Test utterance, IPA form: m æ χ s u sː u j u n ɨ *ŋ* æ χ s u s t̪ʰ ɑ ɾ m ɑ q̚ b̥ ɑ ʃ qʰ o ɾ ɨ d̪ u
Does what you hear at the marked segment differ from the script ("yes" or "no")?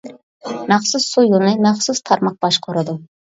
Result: yes